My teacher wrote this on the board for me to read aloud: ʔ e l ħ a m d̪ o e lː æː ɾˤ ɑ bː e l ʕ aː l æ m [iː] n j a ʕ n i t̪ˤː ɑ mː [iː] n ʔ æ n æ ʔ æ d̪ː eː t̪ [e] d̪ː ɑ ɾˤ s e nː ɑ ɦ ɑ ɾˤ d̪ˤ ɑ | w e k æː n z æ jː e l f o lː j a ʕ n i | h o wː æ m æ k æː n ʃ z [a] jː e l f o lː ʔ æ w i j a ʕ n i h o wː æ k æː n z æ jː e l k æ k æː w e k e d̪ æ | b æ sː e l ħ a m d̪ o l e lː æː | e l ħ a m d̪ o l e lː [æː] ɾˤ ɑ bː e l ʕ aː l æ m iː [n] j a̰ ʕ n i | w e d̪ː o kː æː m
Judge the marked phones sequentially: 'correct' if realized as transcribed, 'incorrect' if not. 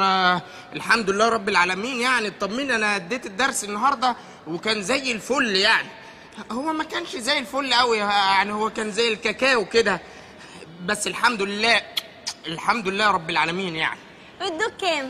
correct, correct, correct, incorrect, correct, correct

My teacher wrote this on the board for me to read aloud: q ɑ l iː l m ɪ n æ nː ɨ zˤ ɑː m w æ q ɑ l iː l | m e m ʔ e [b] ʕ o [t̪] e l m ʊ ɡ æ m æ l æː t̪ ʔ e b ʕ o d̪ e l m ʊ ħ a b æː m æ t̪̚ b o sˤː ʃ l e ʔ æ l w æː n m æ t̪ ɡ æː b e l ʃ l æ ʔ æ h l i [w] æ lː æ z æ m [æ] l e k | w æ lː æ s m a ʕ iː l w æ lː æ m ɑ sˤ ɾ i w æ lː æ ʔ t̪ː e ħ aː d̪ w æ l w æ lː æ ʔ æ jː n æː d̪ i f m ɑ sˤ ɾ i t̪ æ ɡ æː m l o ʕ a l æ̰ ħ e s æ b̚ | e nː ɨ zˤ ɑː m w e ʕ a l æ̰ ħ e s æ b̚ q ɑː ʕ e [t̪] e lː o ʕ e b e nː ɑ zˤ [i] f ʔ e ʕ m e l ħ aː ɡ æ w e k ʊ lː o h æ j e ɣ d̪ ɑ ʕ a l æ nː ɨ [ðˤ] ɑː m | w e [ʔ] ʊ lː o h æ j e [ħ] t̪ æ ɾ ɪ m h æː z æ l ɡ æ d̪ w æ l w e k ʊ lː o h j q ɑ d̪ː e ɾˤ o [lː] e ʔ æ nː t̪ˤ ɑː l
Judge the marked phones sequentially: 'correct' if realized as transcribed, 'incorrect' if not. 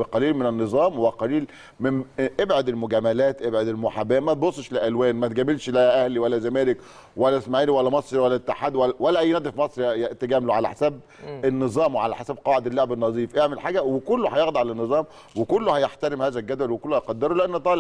correct, incorrect, correct, incorrect, incorrect, incorrect, incorrect, incorrect, correct, incorrect

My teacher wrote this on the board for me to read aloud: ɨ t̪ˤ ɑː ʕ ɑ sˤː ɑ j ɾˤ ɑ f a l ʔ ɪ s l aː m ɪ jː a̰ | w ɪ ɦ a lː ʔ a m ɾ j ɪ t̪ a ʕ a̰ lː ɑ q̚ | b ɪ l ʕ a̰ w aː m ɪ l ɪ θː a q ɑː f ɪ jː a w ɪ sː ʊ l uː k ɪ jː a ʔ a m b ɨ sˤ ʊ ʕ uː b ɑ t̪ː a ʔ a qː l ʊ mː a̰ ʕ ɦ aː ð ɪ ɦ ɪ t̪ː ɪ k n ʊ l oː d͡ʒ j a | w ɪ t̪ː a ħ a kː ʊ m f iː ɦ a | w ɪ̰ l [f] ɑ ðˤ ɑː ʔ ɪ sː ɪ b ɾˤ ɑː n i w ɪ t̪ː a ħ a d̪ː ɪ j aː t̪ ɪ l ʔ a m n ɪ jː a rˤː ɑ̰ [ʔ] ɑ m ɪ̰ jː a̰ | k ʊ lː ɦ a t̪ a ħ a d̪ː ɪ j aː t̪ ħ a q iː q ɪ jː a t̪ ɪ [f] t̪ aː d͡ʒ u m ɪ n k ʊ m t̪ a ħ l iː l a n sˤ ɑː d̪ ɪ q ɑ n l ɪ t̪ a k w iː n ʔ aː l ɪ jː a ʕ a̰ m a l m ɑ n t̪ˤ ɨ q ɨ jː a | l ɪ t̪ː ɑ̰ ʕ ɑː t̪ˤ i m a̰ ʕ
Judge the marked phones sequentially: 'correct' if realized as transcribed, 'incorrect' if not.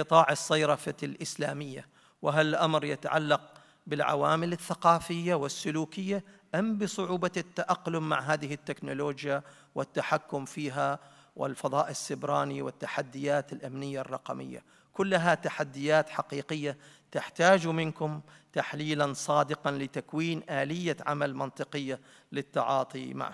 correct, incorrect, incorrect

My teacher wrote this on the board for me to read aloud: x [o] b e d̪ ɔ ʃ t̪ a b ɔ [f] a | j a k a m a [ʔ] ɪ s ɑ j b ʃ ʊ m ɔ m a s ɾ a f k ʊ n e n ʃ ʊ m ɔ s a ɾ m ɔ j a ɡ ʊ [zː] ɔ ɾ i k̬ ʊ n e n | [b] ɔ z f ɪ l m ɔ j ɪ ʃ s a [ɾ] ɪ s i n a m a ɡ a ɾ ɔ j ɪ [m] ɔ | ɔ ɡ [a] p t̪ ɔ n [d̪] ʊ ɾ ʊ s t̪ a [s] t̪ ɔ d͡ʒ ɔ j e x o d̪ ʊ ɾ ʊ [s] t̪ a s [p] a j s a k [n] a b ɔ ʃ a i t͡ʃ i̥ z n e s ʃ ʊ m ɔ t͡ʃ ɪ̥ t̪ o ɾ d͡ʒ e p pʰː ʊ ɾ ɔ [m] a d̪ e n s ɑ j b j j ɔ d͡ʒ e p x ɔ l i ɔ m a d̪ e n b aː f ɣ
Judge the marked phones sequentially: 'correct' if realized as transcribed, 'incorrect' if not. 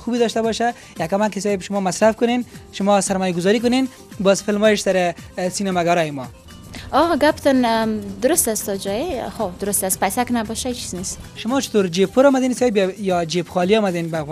incorrect, incorrect, incorrect, incorrect, correct, correct, correct, correct, correct, correct, correct, correct, correct, correct

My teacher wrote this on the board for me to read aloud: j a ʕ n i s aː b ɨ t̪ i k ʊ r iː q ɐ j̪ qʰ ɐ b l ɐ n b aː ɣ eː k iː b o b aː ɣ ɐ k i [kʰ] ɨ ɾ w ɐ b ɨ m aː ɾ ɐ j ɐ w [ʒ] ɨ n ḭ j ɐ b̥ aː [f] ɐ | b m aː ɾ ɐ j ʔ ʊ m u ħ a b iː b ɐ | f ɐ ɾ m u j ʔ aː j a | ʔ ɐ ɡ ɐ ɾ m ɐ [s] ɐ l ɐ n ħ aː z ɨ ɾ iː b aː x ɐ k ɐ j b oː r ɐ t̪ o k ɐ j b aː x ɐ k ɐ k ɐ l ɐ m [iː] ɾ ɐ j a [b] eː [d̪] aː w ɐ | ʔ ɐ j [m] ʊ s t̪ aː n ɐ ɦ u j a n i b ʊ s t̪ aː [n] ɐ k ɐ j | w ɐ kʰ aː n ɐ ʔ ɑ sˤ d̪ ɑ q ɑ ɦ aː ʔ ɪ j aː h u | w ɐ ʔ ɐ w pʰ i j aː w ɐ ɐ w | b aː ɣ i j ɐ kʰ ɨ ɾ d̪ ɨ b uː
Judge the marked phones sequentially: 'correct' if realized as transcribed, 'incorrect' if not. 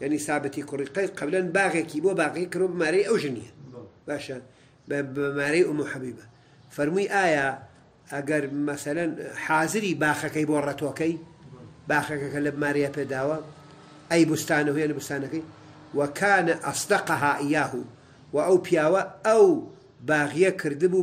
incorrect, correct, incorrect, correct, incorrect, incorrect, correct, incorrect, correct

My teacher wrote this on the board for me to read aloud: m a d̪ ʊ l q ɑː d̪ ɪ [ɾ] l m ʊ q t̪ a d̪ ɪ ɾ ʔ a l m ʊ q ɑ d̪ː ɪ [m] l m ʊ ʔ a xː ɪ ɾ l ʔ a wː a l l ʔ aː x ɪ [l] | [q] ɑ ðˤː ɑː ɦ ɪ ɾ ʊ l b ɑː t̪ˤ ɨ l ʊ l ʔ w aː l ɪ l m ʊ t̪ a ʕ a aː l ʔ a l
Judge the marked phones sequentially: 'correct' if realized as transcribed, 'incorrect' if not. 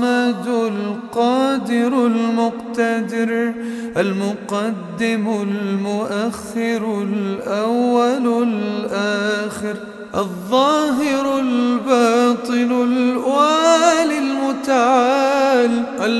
correct, correct, incorrect, incorrect

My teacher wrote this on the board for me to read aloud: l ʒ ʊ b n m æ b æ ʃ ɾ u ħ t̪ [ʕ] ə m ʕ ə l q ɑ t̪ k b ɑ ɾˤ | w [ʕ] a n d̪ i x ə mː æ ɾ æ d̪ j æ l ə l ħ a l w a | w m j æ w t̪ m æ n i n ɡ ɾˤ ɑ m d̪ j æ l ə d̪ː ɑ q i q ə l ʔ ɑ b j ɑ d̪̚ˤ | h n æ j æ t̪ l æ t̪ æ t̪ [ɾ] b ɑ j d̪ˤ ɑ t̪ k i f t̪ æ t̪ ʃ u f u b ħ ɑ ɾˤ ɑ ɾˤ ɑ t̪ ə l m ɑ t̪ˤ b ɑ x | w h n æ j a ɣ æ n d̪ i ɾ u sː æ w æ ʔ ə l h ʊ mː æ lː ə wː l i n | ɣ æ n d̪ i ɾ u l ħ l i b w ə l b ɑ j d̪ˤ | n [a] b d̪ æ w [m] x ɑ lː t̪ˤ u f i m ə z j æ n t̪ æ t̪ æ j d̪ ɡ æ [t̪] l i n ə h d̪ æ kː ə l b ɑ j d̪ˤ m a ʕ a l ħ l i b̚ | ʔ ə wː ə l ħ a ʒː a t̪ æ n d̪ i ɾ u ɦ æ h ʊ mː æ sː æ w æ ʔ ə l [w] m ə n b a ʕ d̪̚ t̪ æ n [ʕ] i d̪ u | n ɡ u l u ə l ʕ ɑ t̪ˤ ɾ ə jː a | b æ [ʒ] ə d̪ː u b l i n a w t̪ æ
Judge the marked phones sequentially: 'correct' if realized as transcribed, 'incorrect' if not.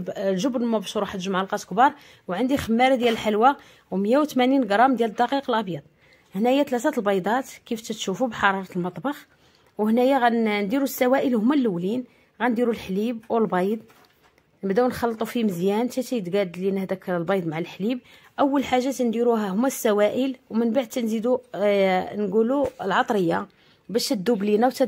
incorrect, correct, incorrect, incorrect, incorrect, incorrect, correct, incorrect, incorrect

